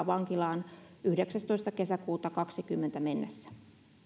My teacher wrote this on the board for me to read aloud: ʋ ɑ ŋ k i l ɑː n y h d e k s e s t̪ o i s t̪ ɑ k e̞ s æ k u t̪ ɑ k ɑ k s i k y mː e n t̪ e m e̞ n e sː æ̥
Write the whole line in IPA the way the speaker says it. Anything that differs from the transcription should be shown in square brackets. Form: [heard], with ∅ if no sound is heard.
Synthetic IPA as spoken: ʋ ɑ ŋ k i l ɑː n y h d e k s [æ] s t̪ o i s t̪ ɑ k e̞ s æ k [uː] t̪ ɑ k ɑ k s i k y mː e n t̪ [æ] m e̞ [nː] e sː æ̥